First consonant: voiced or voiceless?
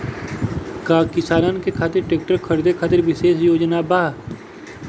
voiceless